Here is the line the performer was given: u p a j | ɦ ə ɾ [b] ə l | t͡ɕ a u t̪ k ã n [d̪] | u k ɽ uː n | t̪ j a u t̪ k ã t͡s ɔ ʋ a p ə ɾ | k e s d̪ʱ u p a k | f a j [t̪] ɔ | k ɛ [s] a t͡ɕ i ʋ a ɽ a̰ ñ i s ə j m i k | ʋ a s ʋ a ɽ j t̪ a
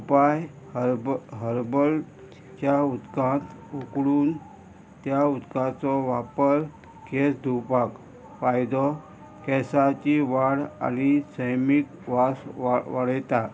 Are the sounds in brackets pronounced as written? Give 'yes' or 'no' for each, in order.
yes, no, no, yes

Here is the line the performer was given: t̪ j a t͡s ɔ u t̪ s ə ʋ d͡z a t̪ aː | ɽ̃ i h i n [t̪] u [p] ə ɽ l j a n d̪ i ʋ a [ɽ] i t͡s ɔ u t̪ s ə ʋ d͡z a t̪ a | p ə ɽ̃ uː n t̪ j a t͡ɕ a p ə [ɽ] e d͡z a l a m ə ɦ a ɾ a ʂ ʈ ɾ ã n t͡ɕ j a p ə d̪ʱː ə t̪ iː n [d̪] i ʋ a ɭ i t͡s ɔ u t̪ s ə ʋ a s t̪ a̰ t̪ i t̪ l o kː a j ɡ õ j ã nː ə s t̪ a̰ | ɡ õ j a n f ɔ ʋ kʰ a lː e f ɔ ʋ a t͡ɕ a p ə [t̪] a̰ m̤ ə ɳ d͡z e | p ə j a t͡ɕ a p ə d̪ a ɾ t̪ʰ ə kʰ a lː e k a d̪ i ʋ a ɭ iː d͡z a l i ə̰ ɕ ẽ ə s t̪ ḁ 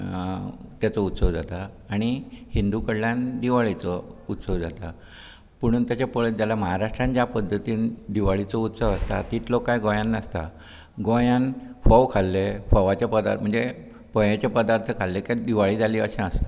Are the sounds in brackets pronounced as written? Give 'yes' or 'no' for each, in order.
no, no, no, no, yes, no

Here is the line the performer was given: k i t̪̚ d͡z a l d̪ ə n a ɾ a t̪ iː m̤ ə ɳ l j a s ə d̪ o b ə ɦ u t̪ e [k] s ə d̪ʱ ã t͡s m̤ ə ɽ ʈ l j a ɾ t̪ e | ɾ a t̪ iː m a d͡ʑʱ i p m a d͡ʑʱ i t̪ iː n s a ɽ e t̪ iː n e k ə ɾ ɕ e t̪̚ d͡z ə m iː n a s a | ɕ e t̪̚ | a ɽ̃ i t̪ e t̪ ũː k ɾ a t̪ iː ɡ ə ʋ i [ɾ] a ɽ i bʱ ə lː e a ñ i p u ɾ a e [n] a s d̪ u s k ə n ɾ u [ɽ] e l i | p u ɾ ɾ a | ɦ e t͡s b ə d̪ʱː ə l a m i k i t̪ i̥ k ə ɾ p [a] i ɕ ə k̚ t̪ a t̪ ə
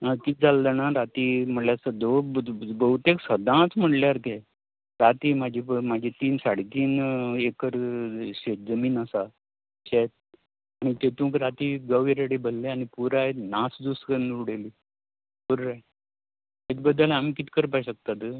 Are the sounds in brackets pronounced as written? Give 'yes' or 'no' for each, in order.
yes, yes, yes, yes, yes

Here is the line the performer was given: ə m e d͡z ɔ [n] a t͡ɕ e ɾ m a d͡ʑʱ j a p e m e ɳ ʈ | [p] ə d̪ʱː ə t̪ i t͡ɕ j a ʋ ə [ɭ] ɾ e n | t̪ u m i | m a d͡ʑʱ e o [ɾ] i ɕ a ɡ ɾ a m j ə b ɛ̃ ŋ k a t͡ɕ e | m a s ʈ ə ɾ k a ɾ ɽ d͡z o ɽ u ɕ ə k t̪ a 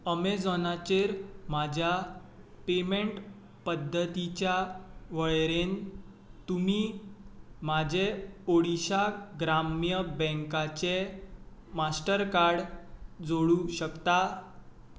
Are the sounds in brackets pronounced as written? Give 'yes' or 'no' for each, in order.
yes, yes, yes, no

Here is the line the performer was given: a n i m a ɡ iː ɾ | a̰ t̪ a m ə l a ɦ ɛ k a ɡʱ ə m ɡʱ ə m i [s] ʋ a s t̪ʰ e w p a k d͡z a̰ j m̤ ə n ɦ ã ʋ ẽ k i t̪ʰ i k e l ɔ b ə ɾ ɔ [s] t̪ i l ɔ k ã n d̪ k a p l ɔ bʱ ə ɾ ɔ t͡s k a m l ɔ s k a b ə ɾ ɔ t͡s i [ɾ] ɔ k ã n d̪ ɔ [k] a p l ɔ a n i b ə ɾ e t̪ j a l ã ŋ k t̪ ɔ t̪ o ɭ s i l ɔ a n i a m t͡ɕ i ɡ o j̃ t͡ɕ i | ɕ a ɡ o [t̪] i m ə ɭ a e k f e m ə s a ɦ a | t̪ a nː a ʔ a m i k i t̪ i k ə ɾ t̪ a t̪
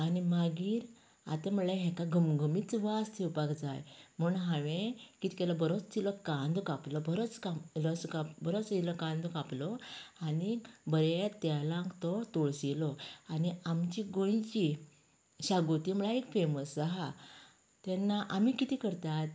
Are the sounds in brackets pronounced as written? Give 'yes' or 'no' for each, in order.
no, no, no, yes, yes

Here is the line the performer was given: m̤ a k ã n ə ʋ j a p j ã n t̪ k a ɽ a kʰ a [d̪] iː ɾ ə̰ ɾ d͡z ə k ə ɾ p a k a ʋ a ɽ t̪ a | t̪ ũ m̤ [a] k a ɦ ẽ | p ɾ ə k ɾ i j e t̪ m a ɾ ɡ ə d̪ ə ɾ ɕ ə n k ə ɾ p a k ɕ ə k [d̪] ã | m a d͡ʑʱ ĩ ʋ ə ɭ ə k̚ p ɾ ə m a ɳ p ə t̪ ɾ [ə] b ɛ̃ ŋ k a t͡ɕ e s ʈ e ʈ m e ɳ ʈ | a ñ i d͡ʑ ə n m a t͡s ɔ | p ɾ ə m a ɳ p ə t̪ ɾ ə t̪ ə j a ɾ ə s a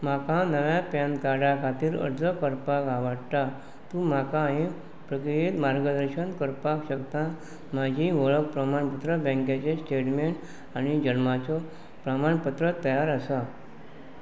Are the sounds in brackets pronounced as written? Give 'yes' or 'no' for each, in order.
no, yes, no, yes

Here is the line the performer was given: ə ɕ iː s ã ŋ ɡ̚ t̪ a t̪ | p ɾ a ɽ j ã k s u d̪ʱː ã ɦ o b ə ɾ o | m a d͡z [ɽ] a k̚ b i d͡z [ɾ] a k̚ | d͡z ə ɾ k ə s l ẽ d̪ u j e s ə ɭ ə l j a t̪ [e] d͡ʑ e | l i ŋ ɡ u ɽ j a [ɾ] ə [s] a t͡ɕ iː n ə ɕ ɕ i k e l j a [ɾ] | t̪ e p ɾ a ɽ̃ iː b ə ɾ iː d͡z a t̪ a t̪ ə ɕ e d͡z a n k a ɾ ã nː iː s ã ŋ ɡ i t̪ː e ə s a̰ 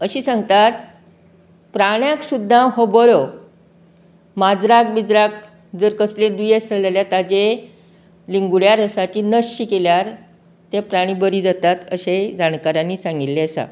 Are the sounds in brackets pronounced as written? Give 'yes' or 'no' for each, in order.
no, yes, no, yes, yes, yes

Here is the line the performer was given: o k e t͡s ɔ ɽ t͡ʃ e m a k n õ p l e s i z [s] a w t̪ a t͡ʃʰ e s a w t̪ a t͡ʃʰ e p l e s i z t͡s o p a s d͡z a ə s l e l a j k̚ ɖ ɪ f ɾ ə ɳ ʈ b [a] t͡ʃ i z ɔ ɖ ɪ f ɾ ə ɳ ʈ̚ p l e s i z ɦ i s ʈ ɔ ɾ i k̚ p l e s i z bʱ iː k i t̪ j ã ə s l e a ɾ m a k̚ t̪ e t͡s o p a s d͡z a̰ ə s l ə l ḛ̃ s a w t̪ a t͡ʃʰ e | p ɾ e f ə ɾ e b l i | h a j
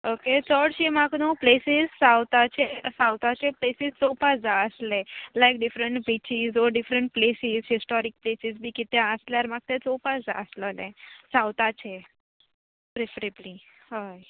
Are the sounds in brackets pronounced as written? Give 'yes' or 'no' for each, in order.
yes, no

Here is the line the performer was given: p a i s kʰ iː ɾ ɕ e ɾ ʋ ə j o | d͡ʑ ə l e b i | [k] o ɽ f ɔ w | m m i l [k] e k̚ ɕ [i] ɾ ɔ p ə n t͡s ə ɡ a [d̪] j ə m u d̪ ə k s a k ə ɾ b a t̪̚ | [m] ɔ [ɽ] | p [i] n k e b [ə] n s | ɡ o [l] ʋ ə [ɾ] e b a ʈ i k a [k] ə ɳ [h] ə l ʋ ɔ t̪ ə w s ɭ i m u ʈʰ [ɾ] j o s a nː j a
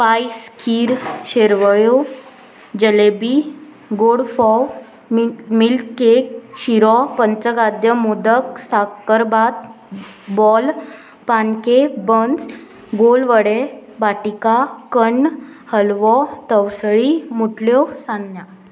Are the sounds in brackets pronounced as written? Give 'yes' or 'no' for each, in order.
no, yes, yes, yes, no, no, no, yes, yes, no, yes, yes, no

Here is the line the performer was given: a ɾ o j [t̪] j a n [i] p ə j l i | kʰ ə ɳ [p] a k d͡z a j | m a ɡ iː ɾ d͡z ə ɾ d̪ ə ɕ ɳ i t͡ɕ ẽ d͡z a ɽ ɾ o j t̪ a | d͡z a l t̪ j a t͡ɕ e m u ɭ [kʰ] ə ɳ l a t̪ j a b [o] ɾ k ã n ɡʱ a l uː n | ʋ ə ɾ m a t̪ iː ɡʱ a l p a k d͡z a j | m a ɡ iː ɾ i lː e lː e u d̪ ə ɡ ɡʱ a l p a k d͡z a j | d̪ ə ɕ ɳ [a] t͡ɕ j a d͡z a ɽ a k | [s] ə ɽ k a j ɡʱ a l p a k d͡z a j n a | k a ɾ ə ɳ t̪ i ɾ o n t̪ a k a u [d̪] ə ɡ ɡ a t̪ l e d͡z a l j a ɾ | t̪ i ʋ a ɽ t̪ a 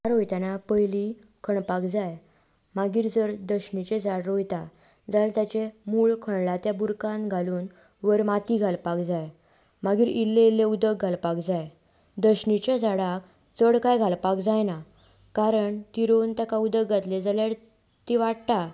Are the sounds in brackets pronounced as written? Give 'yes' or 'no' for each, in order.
yes, no, yes, yes, no, no, no, yes

